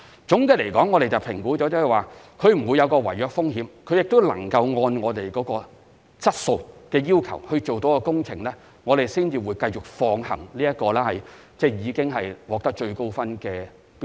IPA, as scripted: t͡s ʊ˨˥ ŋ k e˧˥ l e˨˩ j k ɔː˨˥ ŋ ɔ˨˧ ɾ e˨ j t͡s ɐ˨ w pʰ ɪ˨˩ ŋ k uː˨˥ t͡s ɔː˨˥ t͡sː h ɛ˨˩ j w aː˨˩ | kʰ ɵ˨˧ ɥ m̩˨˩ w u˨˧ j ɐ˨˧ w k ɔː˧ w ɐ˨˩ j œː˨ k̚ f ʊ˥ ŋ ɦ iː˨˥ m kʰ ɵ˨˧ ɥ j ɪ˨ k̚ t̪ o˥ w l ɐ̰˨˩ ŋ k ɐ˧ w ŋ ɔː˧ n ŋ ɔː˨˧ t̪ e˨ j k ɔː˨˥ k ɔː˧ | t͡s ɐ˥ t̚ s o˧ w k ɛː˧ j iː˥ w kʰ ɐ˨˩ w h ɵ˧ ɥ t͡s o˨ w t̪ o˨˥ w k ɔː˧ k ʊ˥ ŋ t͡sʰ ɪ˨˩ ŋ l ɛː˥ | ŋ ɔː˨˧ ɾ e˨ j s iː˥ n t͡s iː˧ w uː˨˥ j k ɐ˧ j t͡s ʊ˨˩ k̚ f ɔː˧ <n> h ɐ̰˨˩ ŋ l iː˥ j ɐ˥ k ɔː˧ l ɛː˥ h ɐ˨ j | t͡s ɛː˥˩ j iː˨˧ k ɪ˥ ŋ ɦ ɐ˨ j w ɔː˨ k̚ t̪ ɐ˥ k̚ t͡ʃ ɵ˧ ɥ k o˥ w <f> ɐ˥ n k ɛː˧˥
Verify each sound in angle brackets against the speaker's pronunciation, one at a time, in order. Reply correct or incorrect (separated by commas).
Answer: incorrect, correct